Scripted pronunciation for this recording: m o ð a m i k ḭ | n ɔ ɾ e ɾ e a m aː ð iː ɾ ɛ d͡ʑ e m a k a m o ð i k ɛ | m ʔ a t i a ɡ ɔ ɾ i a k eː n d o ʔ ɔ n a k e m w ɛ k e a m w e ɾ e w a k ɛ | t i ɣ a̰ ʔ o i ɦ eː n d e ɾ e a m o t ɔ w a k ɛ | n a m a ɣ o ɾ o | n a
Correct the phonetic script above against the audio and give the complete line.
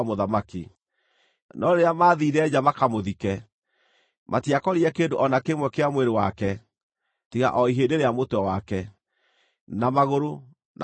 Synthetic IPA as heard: m o ð a m a k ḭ | n ɔ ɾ e ɾ e a m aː ð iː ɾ ɛ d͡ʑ a m a k a m o ð i k ɛ | m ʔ a t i a k ɔ ɾ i ɛ k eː n d o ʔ ɔ n a k e m w ɛ k e a m w e ɾ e w a k ɛ | t i ɣ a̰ ʔ ɔ i ɦ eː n d e ɾ e a m o t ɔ w a k ɛ | n a m a ɣ o ɾ o | n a

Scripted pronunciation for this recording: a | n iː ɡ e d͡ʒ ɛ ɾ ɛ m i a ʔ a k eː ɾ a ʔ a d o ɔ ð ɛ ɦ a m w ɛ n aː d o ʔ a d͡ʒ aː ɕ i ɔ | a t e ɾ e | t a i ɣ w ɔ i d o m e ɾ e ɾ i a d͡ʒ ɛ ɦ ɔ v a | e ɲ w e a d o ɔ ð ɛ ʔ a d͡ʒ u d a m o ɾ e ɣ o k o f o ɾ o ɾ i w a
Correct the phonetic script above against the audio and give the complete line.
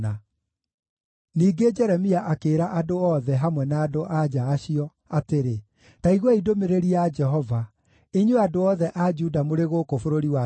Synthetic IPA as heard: a | n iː ɡ e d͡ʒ ɛ ɾ ɛ m i a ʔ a k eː ɾ a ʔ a d o ɔ ð ɛ ɦ a m w ɛ n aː d o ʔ a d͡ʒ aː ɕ i ɔ | a t e ɾ e | t a i ɣ w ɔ i d o m e ɾ e ɾ i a d͡ʒ ɛ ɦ ɔ v a | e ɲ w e a d o ɔ ð ɛ ʔ a d͡ʒ u d a m o ɾ e ɣ o k o f o ɾ o ɾ i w a

